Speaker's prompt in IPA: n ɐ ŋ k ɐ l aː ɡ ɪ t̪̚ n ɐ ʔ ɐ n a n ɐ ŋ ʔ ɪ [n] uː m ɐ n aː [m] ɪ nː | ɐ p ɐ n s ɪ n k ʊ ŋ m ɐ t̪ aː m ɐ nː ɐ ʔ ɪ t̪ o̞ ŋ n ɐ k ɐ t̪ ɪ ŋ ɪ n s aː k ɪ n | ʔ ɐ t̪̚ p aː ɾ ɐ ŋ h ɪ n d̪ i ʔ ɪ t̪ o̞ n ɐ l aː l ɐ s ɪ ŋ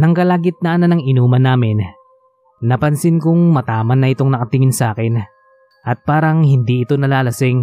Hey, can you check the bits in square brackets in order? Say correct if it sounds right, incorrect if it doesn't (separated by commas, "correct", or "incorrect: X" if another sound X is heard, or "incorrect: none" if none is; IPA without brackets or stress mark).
correct, correct